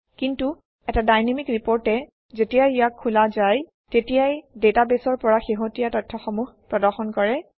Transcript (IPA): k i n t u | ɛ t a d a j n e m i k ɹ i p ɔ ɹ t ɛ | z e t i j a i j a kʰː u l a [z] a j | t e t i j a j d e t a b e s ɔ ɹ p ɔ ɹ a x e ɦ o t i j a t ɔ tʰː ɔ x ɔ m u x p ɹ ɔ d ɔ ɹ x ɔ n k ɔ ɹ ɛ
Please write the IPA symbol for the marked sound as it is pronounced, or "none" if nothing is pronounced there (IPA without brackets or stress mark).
z